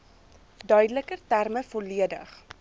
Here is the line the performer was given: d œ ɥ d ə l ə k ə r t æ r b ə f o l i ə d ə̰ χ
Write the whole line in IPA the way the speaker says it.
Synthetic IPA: d œ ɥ d ə l ə k ə r t æ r m ə f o l i ə d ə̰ χ

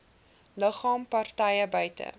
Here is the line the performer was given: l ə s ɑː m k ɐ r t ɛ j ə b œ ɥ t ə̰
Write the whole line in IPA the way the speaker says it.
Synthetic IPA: l ə χ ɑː m p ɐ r t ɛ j ə b œ ɥ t ə̰

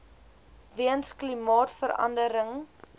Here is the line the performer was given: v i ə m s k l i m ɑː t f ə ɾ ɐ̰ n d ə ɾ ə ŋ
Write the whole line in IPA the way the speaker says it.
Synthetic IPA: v i ə n s k l i m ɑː t f ə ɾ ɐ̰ n d ə ɾ ə ŋ

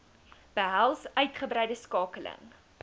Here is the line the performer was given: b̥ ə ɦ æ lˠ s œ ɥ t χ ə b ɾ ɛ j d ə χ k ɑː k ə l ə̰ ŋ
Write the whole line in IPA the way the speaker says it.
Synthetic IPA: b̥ ə ɦ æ lˠ s œ ɥ t χ ə b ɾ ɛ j d ə s k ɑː k ə l ə̰ ŋ

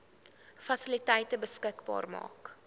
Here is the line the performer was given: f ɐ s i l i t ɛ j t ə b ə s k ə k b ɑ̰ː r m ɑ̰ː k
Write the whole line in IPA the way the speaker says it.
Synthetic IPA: f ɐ s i l i t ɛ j t ə b ə s k ə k b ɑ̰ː r m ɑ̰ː k

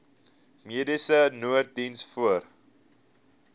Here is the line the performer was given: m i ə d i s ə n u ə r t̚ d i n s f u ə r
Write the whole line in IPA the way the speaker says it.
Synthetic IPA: m i ə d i s ə n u ə r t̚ d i n s f u ə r

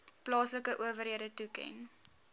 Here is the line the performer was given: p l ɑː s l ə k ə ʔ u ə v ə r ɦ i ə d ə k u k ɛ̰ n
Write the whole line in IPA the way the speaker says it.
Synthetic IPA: p l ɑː s l ə k ə ʔ u ə v ə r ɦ i ə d ə t u k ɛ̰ n

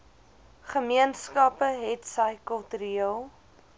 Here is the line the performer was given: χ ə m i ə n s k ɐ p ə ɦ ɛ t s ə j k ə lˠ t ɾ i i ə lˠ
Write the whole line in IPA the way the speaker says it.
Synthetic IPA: χ ə m i ə n s k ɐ p ə ɦ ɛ t s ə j k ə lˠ t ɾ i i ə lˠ

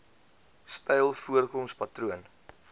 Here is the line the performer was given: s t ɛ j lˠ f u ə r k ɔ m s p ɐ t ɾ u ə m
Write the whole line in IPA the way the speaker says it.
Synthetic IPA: s t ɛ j lˠ f u ə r k ɔ m s p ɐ t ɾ u ə n

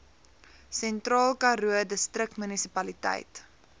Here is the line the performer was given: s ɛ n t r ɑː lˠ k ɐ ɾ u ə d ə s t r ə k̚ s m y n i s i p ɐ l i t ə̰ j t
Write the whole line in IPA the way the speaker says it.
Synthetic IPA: s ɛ n t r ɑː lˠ k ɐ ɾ u ə d ə s t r ə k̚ t m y n i s i p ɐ l i t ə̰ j t

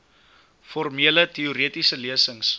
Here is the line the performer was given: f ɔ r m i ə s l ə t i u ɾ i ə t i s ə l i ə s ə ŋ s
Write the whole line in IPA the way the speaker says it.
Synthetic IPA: f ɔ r m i ə l ə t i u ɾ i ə t i s ə l i ə s ə ŋ s

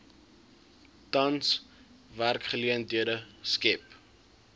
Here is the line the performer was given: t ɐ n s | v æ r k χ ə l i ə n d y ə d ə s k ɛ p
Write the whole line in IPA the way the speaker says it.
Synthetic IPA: t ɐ n s | v æ r k χ ə l i ə n d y ə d ə s k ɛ p

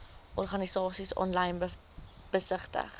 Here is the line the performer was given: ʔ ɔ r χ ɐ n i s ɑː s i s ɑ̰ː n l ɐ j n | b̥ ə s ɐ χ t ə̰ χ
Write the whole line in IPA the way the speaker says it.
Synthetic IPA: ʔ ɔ r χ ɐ n i s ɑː s i s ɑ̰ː n l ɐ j n | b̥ ə s ə χ t ə̰ χ

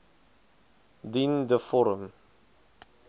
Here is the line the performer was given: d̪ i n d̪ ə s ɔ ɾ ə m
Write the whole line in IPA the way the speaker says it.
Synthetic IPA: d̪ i n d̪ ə f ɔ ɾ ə m

